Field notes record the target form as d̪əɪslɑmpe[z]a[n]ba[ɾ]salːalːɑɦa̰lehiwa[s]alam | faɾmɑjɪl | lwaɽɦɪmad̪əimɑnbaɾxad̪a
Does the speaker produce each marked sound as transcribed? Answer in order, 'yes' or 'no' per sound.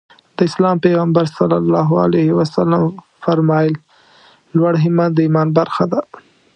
no, no, yes, yes

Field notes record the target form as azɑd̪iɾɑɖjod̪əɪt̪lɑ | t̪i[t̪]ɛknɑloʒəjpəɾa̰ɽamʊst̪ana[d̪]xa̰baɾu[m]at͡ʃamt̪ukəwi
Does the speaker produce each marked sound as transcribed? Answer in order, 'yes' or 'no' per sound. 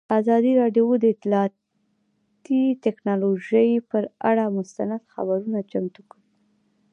yes, yes, no

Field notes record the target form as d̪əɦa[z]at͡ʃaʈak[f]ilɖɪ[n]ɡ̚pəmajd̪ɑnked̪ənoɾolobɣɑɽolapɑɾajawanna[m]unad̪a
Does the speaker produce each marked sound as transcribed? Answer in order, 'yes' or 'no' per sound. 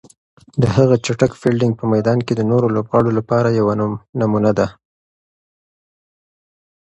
no, yes, no, yes

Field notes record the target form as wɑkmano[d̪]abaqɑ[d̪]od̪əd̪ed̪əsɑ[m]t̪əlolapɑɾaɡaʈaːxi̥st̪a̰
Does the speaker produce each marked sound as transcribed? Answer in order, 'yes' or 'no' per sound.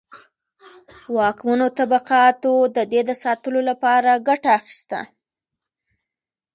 no, no, no

